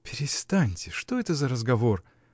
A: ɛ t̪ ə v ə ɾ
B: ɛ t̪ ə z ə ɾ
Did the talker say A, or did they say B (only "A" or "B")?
B